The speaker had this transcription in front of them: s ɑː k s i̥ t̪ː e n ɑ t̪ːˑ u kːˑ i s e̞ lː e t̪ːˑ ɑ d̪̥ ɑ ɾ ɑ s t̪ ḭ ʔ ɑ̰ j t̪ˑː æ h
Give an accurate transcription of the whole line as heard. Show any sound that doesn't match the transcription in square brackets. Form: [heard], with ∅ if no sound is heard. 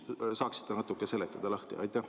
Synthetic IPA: s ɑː k s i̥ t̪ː e n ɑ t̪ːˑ u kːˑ [e] s e̞ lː e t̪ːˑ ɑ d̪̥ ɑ [l] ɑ [h] t̪ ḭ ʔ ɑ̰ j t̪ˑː æ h